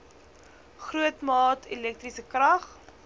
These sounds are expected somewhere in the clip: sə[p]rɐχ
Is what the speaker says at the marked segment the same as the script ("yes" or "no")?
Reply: no